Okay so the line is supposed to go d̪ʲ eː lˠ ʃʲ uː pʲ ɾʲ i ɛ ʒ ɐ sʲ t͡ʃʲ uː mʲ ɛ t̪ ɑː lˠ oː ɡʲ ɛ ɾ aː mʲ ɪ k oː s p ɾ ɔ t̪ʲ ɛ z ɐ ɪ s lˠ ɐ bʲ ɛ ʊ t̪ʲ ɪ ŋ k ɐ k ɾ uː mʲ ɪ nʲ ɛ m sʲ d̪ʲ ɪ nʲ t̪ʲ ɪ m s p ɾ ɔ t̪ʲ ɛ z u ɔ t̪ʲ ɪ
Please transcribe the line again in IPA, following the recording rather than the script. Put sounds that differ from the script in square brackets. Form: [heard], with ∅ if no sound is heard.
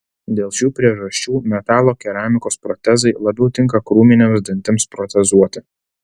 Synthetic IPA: d̪ʲ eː lˠ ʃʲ uː pʲ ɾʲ i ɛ ʒ ɐ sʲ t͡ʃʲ uː mʲ ɛ t̪ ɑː lˠ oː [kʲ] ɛ ɾ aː mʲ ɪ k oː s p ɾ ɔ t̪ʲ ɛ z ɐ ɪ [∅] lˠ ɐ bʲ ɛ ʊ t̪ʲ ɪ ŋ k ɐ k ɾ uː mʲ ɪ nʲ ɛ m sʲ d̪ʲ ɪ nʲ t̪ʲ ɪ m s p ɾ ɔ t̪ʲ ɛ z u ɔ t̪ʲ ɪ

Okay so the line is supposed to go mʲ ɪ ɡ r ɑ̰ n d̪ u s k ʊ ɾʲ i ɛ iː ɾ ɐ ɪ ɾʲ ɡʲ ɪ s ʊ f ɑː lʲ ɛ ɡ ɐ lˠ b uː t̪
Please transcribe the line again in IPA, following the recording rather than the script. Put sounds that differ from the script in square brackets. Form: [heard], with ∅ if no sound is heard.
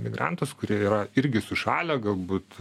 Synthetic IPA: mʲ ɪ ɡ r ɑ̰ n [t̪] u s k ʊ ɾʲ i ɛ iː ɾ ɐ ɪ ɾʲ ɡʲ ɪ s ʊ [ʃ] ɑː lʲ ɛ ɡ ɐ lˠ b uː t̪

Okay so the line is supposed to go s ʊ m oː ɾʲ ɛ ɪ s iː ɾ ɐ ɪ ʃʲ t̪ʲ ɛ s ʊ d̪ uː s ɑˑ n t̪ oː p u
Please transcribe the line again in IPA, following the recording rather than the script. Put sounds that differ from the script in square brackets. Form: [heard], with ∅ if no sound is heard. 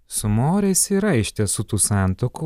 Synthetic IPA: s ʊ m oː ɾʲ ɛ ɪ s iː ɾ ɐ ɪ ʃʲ t̪ʲ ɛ s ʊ [t̪] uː s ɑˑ n t̪ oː [k] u

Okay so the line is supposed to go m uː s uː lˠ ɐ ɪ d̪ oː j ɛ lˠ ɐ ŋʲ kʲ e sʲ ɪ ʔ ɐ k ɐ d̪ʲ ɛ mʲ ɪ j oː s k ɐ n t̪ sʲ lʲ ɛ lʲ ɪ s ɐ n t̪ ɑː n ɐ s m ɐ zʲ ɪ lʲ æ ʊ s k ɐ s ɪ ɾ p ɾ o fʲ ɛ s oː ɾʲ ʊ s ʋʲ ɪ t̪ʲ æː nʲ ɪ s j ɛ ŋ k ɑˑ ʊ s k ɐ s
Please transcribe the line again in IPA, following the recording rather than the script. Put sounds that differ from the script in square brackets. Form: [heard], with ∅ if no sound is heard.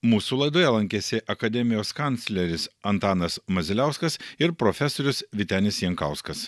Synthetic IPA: m uː s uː lˠ ɐ ɪ d̪ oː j ɛ lˠ ɐ ŋʲ kʲ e sʲ ɪ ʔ ɐ k ɐ d̪ʲ ɛ mʲ ɪ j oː s k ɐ n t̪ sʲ lʲ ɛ [ɾʲ] ɪ s ɐ n t̪ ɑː n ɐ s m ɐ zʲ ɪ lʲ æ ʊ s k ɐ s ɪ ɾ p ɾ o fʲ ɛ s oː ɾʲ ʊ s ʋʲ ɪ t̪ʲ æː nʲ ɪ s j ɛ ŋ k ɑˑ ʊ s k ɐ s

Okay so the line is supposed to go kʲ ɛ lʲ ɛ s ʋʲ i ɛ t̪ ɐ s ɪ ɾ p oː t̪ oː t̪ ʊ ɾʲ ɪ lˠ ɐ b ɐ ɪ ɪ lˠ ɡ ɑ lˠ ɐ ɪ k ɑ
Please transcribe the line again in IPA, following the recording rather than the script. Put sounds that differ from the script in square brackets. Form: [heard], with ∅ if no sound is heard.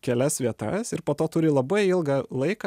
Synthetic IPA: kʲ ɛ lʲ ɛ s ʋʲ i ɛ t̪ ɐ s ɪ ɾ p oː t̪ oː t̪ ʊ ɾʲ ɪ lˠ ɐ b ɐ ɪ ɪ lˠ ɡ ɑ lˠ ɐ ɪ k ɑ

